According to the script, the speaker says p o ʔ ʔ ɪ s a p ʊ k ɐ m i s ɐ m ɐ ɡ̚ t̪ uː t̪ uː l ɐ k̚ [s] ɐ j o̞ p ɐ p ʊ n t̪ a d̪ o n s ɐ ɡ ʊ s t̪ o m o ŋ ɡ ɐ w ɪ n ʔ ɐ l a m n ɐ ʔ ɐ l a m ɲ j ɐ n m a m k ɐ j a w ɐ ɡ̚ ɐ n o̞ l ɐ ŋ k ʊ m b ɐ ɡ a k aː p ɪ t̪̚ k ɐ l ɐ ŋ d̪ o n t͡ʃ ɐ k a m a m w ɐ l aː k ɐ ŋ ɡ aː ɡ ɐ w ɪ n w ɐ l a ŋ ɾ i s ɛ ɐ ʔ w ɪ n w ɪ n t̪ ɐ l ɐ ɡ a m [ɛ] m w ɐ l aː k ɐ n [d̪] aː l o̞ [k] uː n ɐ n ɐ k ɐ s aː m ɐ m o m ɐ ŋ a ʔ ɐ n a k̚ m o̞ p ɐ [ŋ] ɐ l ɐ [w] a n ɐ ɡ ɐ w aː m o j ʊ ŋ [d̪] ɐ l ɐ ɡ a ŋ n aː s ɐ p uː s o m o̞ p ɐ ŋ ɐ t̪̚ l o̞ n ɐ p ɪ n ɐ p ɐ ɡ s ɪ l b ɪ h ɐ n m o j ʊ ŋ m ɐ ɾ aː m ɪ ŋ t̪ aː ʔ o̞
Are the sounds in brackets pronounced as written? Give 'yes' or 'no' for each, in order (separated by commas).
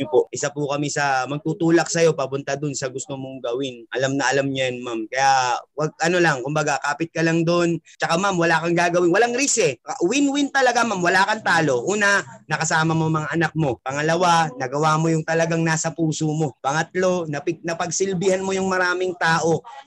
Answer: yes, no, no, no, yes, yes, no